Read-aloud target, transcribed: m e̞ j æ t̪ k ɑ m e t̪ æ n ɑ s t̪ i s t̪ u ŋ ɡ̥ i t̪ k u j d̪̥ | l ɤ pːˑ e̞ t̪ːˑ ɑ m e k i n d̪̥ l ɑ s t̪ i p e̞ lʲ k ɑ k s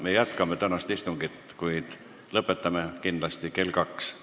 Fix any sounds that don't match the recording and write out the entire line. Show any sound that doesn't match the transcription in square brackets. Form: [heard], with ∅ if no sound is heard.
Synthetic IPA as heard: m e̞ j æ t̪ k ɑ m e t̪ æ n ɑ s t̪ i s t̪ u ŋ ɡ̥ i t̪ k u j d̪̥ | l ɤ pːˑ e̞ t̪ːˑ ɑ m e k i n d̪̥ l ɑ s t̪ i [k] e̞ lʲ k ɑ k s

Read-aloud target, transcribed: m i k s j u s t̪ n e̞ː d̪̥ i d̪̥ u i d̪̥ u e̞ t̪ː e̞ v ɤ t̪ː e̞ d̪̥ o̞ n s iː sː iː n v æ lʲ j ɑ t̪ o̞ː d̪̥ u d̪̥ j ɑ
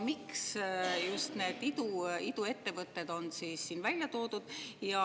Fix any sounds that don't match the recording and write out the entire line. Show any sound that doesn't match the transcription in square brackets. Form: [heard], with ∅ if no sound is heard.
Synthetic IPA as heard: m i k s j u s t̪ n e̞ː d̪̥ i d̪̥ u i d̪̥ u e̞ t̪ː e̞ v ɤ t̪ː e̞ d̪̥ o̞ n s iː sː iː n v æ lʲ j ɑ t̪ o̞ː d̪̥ u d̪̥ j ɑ

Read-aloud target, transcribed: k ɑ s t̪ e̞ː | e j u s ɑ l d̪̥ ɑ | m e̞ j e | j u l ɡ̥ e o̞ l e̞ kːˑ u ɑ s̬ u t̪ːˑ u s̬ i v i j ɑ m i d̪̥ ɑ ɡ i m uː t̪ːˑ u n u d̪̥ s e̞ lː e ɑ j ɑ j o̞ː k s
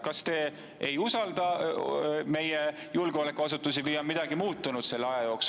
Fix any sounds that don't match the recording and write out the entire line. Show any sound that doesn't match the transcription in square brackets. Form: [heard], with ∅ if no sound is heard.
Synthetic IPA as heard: k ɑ s t̪ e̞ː | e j u s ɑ l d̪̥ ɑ | m e̞ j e | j u l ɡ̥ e o̞ l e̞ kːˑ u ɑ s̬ u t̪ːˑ u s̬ i v i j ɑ m i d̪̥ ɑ ɡ i m uː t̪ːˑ u n u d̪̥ s e̞ lː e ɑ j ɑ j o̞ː k s

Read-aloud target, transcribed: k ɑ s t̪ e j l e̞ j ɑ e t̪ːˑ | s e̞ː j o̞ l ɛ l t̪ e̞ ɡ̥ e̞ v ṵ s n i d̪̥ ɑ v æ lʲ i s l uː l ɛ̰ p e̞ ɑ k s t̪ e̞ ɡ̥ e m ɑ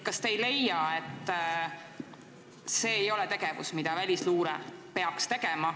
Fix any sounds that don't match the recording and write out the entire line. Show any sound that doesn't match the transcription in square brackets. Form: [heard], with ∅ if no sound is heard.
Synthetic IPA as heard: k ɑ s t̪ e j l e̞ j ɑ e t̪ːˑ | s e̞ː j o̞ l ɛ [∅] t̪ e̞ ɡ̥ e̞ v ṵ s [m] i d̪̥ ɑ v æ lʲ i s l uː [ɾ] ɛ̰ p e̞ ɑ k s t̪ e̞ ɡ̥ e m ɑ

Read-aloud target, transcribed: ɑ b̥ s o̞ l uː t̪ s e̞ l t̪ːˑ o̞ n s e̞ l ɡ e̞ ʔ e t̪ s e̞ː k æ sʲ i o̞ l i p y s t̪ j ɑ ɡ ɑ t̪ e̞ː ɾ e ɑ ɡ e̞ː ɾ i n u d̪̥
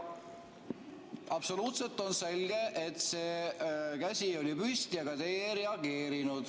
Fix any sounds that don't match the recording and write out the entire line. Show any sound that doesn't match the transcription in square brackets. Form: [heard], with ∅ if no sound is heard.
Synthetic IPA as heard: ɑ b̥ s o̞ l uː t̪ s e̞ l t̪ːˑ o̞ n s e̞ l ɡ e̞ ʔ e t̪ s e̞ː k æ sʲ i o̞ l i p y s t̪ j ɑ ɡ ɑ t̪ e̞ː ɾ e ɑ ɡ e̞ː ɾ i n u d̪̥

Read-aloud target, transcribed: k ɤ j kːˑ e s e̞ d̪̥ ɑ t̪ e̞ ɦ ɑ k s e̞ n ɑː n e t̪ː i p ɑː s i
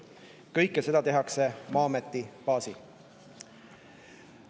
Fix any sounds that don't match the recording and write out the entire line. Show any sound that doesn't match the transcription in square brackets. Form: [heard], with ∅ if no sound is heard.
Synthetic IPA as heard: k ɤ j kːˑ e s e̞ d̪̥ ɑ t̪ e̞ ɦ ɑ k s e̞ [m] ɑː [m] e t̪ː i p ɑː s i

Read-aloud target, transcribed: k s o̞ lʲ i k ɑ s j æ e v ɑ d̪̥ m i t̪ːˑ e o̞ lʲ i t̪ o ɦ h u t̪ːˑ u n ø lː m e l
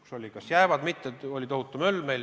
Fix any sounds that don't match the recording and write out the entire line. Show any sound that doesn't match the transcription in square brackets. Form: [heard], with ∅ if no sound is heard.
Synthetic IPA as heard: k s o̞ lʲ i k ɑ s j æ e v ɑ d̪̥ m i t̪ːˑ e o̞ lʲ i t̪ o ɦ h u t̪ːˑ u [m] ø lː m e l

